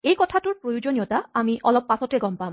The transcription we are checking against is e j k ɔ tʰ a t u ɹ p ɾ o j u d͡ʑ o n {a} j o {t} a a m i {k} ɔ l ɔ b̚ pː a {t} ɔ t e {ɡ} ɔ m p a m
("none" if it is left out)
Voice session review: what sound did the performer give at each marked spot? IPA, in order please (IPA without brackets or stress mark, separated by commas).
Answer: i, t, ʔ, s, ɡ